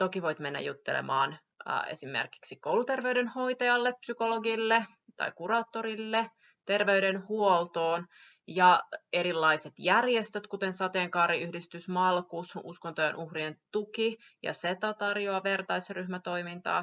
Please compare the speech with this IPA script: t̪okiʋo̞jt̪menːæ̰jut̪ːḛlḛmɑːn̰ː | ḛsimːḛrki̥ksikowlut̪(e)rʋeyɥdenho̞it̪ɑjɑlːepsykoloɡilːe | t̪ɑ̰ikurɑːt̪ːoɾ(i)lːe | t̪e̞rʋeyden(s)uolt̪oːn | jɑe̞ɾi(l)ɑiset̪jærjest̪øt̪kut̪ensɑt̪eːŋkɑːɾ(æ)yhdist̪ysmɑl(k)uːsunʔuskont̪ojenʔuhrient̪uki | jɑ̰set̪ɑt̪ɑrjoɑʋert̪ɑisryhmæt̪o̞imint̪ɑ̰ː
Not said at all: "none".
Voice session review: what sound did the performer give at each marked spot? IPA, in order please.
e, i, h, lː, i, k

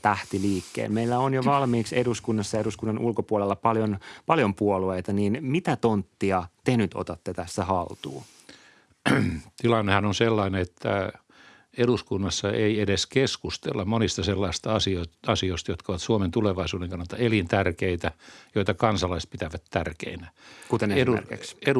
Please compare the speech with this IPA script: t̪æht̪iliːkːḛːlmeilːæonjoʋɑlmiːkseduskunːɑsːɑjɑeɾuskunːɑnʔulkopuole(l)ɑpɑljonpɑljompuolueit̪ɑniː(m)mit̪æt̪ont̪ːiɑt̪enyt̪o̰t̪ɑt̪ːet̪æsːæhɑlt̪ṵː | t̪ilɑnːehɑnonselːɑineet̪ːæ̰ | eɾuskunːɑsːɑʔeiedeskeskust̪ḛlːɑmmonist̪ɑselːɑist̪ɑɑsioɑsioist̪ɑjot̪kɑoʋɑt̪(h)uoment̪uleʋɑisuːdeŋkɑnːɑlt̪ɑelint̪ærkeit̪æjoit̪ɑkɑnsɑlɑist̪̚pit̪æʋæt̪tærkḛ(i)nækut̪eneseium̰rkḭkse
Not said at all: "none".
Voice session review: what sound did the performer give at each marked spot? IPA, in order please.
lː, n, s, i

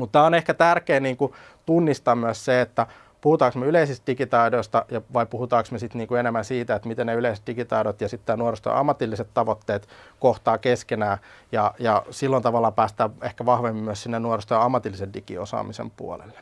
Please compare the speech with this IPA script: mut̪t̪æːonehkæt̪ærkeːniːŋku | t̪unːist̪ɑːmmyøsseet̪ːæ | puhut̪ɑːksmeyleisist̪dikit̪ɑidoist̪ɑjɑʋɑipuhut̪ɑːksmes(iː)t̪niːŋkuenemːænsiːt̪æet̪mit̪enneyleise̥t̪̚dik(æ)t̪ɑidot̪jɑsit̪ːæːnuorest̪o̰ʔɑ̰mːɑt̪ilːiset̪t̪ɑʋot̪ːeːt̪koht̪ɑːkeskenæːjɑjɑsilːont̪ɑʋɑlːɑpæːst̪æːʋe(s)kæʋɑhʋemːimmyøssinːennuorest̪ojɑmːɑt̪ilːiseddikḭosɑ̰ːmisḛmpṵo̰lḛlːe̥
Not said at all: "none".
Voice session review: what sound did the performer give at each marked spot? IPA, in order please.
i, i, h

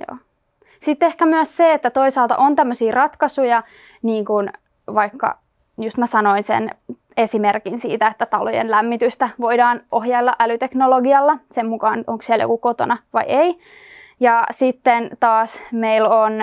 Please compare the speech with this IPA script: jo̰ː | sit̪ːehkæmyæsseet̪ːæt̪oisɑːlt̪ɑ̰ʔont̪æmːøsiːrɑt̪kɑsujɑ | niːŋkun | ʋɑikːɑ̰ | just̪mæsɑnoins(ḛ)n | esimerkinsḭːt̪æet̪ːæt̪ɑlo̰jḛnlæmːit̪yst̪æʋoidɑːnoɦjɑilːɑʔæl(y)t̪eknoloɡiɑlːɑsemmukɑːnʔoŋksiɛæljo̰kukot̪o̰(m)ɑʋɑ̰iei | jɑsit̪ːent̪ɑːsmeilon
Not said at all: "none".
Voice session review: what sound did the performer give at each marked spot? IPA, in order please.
ḛ, y, n

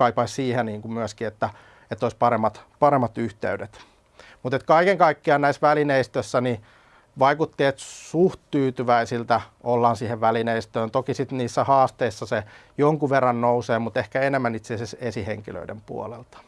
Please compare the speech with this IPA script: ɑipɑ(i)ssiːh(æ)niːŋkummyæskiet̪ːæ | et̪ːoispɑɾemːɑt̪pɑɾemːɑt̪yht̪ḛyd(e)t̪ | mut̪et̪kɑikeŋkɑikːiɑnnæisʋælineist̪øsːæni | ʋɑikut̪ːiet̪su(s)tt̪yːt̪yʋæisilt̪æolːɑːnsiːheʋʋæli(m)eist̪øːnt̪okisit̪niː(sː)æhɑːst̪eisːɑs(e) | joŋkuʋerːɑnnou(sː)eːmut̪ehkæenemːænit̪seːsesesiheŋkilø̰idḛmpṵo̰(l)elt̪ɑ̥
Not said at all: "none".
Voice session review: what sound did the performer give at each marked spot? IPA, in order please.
i, e, e, h, n, sː, e, s, l

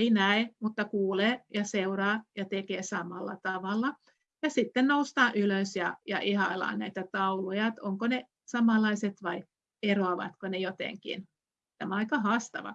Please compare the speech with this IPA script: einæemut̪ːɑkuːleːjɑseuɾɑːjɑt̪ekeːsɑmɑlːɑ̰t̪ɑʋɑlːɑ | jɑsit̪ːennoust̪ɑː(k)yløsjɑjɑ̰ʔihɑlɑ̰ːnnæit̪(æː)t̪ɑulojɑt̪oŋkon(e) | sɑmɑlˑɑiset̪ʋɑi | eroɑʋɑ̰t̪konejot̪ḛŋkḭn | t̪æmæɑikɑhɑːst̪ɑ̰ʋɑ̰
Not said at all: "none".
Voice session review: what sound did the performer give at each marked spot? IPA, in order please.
ʔ, æ, e

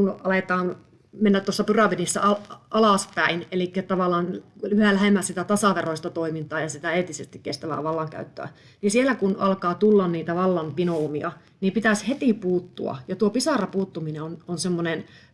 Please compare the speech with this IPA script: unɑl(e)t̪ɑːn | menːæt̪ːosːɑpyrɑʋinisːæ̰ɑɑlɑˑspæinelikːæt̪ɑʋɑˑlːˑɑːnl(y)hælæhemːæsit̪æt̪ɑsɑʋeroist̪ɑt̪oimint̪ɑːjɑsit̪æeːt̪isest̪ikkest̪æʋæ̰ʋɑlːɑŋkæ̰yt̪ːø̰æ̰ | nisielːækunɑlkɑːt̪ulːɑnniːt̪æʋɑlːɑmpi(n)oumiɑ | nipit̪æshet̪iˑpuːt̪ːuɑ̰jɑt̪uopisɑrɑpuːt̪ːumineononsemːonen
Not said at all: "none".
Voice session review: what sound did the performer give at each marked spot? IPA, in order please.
e, y, n

